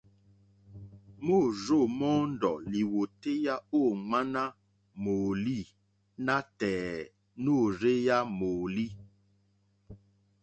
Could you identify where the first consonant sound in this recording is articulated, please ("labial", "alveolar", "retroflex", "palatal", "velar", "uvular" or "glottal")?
labial